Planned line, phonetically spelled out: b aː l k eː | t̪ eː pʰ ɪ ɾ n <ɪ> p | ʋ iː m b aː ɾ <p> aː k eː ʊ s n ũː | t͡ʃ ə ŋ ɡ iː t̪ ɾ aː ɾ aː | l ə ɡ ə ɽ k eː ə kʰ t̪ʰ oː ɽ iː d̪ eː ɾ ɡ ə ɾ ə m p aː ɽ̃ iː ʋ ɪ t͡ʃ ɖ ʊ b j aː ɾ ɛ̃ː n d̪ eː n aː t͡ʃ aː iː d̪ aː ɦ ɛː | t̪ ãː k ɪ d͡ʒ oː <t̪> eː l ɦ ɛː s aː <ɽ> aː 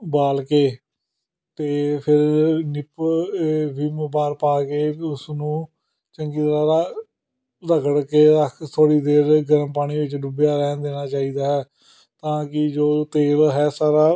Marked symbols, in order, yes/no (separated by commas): yes, yes, yes, no